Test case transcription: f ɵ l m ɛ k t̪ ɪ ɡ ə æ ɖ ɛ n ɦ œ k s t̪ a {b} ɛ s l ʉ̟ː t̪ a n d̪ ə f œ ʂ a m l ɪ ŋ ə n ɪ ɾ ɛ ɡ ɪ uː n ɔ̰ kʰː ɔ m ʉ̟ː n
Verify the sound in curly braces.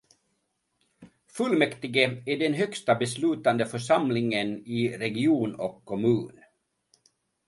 correct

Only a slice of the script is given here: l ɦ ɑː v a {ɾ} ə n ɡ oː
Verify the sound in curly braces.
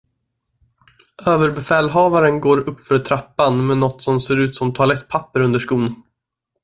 correct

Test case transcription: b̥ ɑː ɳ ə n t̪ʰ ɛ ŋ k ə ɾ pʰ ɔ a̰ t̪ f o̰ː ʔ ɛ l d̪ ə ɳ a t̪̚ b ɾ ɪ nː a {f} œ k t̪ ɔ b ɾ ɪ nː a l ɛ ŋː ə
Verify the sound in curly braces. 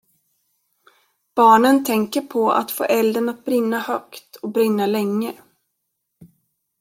incorrect: h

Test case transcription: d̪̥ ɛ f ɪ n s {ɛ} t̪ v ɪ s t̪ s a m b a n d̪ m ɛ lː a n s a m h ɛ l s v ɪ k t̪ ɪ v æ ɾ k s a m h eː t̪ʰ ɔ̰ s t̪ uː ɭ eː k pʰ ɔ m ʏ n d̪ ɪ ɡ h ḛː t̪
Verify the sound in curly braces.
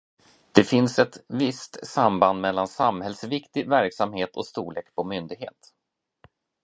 correct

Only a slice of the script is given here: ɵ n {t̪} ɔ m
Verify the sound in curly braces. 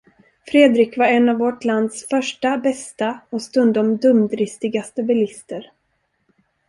incorrect: d̪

